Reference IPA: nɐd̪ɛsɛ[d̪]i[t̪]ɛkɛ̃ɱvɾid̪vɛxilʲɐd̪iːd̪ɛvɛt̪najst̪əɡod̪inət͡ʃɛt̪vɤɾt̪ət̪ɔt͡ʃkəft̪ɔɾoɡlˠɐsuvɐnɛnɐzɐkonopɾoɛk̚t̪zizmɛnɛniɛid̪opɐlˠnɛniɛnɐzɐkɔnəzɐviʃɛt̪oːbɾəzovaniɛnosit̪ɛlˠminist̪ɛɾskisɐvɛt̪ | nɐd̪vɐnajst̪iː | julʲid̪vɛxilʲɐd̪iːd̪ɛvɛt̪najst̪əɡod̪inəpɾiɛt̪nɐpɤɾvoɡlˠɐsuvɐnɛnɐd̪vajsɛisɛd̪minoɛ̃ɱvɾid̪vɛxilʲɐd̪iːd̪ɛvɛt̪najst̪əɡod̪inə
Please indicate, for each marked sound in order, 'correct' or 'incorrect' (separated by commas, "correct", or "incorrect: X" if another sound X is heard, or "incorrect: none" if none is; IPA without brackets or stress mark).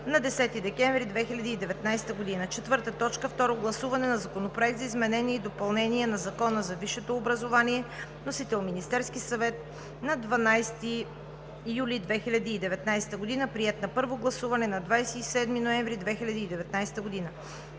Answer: incorrect: t̪, incorrect: d̪